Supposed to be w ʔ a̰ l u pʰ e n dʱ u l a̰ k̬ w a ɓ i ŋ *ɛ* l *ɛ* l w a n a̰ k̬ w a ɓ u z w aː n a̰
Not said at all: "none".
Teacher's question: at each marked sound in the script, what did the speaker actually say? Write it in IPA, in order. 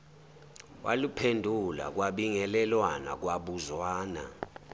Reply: ɛ, ɛ

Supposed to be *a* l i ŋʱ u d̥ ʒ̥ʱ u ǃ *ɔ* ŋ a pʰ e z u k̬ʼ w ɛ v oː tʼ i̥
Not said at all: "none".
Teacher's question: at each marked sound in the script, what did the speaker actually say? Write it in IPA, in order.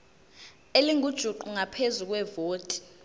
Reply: e, u

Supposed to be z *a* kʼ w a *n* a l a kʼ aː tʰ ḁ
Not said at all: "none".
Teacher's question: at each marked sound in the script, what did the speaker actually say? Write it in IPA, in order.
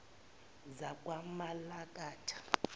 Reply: a, m

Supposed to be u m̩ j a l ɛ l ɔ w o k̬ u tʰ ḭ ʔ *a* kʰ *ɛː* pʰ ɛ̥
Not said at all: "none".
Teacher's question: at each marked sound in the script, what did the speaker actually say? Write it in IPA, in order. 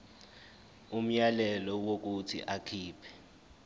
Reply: a, iː

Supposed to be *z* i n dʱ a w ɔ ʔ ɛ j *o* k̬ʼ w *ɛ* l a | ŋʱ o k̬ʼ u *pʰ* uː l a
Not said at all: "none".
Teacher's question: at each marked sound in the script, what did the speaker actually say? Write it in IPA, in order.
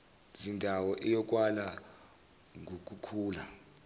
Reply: z, ɔ, a, kʰ

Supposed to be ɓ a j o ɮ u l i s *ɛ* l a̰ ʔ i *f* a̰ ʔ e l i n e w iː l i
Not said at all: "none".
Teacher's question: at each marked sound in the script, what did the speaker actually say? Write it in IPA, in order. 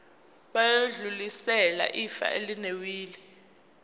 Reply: ɛ, f

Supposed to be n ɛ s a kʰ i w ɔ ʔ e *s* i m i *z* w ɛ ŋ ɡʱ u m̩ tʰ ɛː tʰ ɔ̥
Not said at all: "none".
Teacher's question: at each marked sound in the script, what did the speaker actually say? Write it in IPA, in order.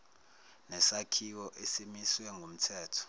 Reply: s, s

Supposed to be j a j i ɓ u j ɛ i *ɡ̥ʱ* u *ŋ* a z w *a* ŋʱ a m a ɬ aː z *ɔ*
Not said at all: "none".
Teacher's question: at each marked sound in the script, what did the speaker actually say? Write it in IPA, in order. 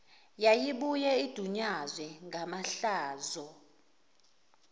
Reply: d̥ʱ, ɲ, ɛ, ɔ

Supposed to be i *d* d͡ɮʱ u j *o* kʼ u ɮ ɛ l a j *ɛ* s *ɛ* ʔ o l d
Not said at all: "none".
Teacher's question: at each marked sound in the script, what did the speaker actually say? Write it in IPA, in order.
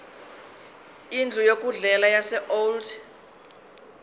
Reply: n, o, a, ɛ

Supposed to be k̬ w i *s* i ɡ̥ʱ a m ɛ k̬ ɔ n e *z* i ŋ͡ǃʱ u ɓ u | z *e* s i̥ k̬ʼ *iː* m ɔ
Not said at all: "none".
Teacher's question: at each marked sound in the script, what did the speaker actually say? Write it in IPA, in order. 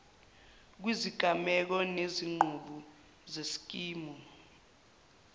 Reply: z, z, e, iː

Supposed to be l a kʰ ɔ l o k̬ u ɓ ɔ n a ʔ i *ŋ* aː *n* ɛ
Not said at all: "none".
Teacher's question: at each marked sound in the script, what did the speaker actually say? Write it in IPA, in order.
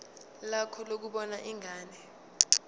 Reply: ŋ, n

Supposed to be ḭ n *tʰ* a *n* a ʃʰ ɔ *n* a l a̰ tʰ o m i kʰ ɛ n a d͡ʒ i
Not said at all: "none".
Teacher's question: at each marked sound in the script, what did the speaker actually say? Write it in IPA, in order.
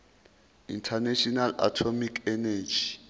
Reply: tʰ, n, n

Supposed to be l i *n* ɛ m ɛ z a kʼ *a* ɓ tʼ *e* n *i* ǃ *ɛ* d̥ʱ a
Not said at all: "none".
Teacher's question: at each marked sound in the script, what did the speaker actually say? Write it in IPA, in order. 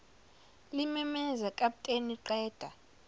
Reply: m, a, e, i, ɛː

